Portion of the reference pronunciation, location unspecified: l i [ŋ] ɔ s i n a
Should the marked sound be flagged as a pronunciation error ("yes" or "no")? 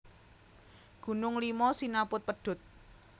yes